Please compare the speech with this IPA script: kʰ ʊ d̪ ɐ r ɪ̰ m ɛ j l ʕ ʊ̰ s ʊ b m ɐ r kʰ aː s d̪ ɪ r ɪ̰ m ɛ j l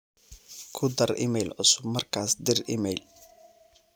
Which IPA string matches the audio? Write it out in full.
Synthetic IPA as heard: kʰ ʊ d̪ ɐ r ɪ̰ m ɛ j l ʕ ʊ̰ s ʊ b m ɐ r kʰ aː s d̪ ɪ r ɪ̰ m ɛ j l